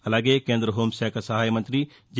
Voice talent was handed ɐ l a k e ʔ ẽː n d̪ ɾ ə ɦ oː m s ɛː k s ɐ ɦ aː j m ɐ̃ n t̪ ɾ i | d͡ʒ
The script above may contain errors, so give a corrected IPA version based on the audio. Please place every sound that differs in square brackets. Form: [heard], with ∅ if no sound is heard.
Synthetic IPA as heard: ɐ l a [ɡ] e [k] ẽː n d̪ ɾ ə ɦ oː m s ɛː k s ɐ ɦ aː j m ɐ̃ n t̪ ɾ i | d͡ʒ